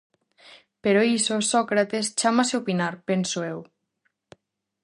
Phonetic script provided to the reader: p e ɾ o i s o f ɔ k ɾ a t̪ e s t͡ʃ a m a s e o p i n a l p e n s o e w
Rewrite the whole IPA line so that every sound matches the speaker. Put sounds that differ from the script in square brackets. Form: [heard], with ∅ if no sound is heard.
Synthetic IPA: p e ɾ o i s o [s] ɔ k ɾ a t̪ e s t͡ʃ a m a s e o p i n a [ɾ] p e n s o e w

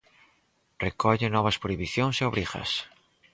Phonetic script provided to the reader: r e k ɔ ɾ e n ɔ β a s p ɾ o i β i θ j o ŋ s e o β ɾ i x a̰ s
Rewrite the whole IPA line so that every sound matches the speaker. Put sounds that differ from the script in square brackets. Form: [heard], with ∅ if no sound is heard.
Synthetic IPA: r e k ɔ [ʎ] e n ɔ β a s p ɾ o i β i θ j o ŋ s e o β ɾ i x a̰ s

